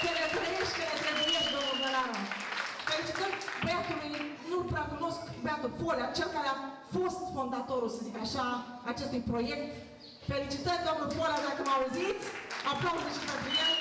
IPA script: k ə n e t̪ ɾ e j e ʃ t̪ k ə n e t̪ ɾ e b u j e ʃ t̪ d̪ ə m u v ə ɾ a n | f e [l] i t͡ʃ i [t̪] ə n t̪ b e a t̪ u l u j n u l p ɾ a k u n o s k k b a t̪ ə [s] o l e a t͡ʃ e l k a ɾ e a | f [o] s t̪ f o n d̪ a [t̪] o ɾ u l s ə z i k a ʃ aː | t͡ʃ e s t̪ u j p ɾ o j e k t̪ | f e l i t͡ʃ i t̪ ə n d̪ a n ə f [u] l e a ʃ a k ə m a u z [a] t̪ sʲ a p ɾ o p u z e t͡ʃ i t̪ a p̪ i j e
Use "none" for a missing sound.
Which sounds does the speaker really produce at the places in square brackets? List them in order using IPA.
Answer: l, t̪, f, o, t̪, o, i

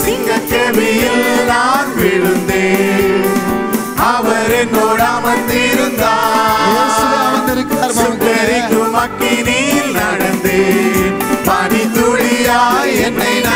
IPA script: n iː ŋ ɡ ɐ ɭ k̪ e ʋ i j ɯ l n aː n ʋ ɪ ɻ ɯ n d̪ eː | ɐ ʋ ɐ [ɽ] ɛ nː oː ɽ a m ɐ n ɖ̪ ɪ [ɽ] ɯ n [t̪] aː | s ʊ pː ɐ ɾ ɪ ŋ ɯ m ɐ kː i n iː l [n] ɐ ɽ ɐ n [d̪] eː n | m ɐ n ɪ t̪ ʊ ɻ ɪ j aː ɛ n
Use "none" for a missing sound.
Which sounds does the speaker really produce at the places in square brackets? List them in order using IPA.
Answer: ɾ, ɾ, d̪, n, d̪

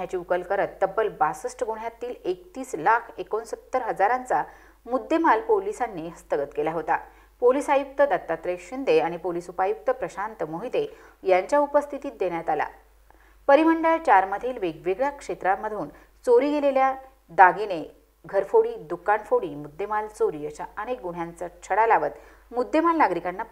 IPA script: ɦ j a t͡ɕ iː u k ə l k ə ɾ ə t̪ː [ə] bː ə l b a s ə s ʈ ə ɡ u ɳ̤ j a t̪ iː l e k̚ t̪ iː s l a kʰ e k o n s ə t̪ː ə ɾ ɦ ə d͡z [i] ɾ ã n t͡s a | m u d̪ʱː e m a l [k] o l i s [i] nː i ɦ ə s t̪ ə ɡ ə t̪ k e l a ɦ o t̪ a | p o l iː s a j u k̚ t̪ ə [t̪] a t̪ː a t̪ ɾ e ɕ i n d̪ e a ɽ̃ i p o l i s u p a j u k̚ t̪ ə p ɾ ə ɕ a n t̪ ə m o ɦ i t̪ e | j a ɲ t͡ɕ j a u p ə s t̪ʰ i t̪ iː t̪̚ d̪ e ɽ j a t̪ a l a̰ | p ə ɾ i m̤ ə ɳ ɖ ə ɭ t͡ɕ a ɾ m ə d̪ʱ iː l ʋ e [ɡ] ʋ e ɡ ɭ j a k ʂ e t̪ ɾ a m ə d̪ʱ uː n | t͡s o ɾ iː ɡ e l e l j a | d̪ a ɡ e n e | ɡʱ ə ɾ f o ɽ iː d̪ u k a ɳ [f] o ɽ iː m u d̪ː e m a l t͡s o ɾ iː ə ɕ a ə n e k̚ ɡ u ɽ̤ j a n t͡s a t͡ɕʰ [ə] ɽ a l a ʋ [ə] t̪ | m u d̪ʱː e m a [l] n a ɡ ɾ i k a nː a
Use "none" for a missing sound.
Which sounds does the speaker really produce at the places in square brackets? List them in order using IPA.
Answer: ə, a, p, a, d̪, ɡ, f, ə, ə, l

